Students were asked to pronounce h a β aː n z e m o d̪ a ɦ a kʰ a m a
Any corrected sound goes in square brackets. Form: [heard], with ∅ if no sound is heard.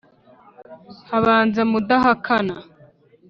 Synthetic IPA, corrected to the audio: h a β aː n z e m [u] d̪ a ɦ a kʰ a [n] a